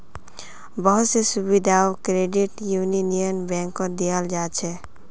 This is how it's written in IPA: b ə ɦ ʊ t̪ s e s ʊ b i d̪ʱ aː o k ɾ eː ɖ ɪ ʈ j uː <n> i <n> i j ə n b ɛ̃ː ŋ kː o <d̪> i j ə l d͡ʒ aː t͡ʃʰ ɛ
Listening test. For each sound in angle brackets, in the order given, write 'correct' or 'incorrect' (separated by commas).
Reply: correct, correct, correct